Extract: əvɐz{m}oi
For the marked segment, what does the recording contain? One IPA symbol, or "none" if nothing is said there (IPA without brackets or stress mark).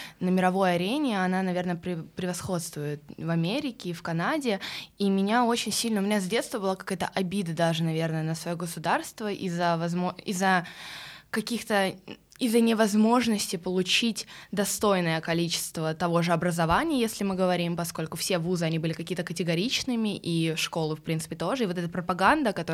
m